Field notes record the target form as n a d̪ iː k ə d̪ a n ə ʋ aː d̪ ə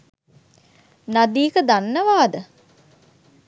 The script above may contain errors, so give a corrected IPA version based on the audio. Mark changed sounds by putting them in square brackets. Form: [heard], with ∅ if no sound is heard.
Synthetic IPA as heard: n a d̪ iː k ə d̪ a [nː] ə ʋ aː d̪ ə